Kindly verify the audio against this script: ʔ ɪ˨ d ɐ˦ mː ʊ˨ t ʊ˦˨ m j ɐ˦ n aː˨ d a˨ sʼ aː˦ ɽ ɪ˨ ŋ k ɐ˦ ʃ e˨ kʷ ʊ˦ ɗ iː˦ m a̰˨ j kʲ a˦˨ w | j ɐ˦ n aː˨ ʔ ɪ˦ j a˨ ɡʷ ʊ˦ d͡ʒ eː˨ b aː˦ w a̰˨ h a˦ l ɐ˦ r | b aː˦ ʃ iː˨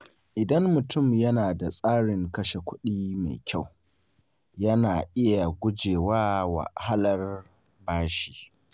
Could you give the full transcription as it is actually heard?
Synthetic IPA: ʔ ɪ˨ d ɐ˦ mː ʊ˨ t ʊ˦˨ m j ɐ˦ n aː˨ d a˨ sʼ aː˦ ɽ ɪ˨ ŋ k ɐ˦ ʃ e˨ kʷ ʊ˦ ɗ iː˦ m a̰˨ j kʲ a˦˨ w | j ɐ˦ n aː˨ ʔ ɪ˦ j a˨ ɡʷ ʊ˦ d͡ʒ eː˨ w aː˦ w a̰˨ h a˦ l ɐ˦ r | b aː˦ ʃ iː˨